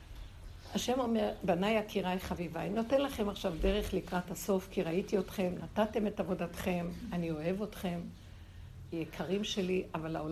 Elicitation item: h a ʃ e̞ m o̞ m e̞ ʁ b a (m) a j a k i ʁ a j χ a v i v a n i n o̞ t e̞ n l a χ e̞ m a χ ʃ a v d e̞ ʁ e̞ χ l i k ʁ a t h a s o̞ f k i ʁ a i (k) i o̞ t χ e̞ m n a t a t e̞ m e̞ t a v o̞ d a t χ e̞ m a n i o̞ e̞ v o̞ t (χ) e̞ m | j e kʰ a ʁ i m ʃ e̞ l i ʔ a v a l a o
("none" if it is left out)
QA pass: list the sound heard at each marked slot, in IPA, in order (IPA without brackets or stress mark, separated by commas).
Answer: n, t, χ